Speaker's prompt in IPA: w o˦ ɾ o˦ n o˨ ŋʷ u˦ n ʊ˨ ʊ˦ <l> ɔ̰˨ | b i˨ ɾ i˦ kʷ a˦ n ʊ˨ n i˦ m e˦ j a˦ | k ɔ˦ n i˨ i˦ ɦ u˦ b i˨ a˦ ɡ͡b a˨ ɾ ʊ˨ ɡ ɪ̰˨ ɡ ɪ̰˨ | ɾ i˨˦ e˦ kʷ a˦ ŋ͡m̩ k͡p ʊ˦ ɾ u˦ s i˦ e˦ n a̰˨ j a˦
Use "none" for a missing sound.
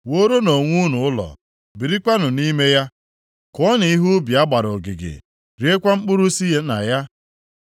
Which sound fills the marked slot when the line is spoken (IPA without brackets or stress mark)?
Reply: l